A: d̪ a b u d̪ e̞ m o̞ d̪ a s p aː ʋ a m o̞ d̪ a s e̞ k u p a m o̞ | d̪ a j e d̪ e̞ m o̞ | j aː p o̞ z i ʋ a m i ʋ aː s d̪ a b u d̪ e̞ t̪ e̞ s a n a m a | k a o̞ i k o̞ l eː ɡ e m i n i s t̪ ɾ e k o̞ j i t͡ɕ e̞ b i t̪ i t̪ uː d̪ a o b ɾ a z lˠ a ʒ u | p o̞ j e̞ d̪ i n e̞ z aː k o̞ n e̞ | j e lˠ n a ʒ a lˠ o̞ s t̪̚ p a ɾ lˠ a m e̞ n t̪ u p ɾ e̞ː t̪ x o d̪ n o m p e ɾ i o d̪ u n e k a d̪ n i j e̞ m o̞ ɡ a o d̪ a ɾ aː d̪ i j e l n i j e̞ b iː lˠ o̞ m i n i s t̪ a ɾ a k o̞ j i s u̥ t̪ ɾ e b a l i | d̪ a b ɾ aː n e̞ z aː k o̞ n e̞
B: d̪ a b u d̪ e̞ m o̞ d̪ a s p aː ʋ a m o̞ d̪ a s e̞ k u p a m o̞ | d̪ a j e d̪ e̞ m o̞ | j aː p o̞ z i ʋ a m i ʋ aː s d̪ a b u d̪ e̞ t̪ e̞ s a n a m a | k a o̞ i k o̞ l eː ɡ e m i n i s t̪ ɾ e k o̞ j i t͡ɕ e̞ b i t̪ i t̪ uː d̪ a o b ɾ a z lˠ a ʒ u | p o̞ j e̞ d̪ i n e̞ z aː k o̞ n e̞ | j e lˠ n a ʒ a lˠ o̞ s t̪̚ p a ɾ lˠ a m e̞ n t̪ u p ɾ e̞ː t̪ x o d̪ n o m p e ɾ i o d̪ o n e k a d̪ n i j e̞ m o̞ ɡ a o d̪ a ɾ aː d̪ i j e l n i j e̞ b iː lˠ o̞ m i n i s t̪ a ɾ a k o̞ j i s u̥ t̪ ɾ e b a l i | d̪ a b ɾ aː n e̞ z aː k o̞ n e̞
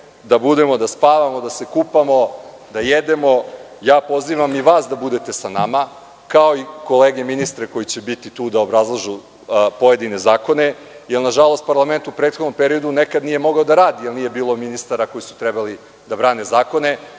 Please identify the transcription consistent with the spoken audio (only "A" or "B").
A